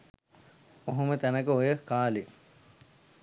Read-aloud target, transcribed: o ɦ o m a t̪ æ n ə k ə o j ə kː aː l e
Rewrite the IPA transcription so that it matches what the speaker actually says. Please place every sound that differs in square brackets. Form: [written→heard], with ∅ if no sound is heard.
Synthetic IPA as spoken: o ɦ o m [a→ə] t̪ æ n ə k ə o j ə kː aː l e